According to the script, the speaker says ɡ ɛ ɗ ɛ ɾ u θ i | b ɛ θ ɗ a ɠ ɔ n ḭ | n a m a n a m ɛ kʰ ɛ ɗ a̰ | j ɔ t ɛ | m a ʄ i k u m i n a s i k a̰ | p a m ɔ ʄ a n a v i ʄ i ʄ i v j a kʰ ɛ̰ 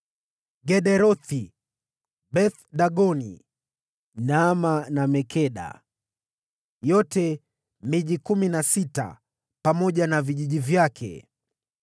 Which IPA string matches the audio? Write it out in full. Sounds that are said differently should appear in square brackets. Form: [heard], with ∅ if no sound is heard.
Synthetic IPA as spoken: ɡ ɛ ɗ ɛ ɾ [ɔ] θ i | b ɛ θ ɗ a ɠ ɔ n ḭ | n a m a n a m ɛ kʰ ɛ ɗ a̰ | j ɔ t ɛ | m [i] ʄ i k u m i n a s i [t] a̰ | p a m ɔ ʄ a n a v i ʄ i ʄ i v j a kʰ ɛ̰